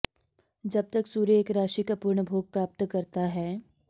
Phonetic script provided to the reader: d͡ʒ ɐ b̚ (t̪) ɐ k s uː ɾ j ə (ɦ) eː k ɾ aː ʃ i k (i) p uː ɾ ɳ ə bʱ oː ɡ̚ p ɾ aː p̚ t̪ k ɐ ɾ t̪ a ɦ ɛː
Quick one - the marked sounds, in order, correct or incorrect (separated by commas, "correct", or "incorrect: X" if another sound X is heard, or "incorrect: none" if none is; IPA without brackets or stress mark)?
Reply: correct, incorrect: none, incorrect: a